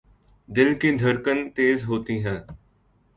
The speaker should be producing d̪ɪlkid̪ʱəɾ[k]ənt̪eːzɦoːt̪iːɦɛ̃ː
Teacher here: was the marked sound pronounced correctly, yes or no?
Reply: yes